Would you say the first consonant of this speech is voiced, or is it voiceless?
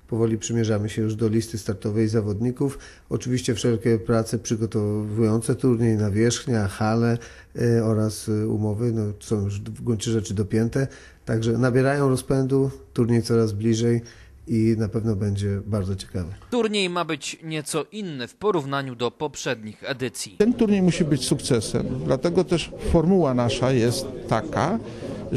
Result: voiceless